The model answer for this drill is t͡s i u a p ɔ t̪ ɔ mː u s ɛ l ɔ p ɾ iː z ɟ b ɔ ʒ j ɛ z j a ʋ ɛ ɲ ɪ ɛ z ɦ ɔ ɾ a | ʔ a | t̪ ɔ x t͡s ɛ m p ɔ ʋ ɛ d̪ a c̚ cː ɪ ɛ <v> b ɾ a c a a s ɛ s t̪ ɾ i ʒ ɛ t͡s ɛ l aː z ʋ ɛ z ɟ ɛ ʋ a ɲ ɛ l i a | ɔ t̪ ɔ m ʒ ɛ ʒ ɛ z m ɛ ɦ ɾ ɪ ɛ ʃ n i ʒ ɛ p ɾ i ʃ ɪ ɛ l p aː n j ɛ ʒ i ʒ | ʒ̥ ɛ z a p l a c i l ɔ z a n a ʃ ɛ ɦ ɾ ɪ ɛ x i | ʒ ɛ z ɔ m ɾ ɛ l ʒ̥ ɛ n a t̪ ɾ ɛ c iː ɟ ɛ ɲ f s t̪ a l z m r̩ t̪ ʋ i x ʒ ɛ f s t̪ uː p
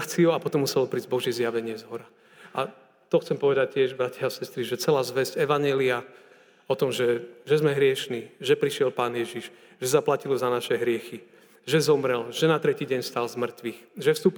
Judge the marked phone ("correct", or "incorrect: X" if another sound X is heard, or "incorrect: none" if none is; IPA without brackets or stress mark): incorrect: ʒ